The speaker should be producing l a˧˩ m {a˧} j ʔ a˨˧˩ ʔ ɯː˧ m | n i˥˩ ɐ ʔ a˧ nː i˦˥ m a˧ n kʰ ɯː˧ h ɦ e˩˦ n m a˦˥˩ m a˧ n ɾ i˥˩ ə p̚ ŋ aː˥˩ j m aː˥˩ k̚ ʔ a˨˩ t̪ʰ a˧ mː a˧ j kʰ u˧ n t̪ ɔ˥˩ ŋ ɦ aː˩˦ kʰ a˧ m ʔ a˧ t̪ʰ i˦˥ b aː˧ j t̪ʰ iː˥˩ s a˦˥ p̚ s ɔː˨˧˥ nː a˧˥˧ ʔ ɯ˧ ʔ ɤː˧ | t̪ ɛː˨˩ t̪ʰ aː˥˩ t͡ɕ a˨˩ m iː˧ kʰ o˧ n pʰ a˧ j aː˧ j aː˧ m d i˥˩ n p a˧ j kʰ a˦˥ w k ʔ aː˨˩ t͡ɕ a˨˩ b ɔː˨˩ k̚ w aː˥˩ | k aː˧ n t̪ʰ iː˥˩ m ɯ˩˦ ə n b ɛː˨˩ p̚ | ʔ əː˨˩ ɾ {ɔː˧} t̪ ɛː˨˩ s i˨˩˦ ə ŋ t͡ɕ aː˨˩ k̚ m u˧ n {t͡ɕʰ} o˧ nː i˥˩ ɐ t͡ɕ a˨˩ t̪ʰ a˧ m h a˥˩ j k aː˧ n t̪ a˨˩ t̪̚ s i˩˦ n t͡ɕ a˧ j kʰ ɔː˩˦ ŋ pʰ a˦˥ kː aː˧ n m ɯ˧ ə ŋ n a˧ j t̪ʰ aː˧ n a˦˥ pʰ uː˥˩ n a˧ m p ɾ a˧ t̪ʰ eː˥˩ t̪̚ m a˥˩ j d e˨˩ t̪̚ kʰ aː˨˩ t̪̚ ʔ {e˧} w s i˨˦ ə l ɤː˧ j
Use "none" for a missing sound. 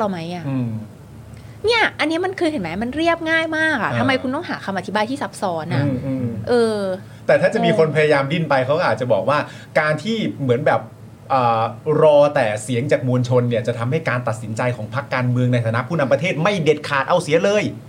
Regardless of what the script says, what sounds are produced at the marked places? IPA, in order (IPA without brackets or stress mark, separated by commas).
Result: a˦˥, ɔː˧, t͡ɕʰ, a˧